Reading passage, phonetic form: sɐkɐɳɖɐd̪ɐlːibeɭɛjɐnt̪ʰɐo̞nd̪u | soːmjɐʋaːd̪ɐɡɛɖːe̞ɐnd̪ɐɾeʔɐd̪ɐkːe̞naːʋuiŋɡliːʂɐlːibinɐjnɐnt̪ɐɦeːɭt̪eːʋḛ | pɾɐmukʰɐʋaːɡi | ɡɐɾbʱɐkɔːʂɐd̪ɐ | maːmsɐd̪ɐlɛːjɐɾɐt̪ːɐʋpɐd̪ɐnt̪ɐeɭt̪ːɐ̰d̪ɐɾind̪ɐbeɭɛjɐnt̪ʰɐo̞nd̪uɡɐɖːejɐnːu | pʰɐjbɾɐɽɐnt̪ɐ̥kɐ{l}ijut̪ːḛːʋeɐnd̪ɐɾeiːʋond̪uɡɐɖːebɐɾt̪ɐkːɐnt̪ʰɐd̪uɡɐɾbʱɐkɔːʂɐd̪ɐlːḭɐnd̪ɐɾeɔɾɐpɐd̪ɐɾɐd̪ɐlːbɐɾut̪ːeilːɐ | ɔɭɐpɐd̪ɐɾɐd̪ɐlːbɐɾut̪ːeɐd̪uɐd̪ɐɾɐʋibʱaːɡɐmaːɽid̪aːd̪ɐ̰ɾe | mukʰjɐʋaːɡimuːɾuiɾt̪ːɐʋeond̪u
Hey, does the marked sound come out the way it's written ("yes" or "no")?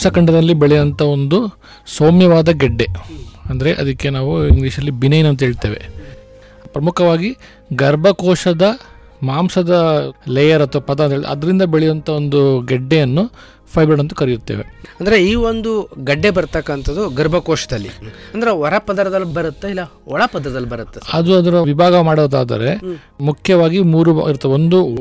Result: no